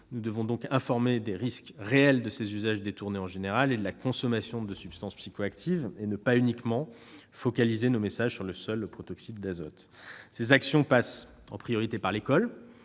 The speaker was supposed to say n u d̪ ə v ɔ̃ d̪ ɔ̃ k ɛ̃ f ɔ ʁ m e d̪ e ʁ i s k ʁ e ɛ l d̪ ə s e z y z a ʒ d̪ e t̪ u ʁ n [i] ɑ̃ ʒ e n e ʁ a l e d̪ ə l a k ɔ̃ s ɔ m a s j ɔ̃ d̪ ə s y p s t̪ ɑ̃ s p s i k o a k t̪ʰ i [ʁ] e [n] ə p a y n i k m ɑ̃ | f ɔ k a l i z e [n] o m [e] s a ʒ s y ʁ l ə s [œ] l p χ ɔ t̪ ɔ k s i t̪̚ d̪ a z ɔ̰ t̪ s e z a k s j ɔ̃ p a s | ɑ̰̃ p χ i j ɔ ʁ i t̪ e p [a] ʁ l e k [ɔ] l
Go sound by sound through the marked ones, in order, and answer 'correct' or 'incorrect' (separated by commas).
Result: incorrect, incorrect, correct, correct, correct, correct, correct, correct